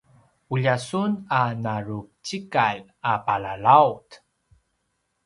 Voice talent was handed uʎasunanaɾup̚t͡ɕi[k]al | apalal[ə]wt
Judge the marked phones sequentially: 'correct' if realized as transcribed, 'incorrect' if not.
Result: correct, incorrect

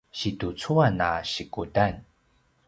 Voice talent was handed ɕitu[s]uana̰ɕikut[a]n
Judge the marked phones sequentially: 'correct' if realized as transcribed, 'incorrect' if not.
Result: incorrect, correct

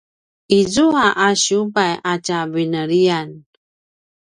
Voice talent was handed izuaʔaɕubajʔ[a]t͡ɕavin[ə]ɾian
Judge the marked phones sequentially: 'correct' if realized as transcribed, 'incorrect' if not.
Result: correct, correct

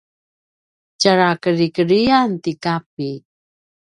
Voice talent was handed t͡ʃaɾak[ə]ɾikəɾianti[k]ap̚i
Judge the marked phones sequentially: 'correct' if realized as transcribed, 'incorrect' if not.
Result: correct, correct

